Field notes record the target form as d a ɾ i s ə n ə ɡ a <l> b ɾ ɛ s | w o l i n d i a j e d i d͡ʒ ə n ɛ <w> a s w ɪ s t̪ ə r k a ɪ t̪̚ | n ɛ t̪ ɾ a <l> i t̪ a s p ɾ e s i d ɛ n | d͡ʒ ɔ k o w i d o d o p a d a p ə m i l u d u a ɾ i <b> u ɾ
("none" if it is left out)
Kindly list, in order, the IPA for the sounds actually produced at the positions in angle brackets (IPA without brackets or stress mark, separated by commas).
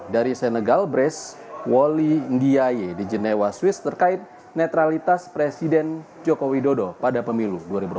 l, w, l, b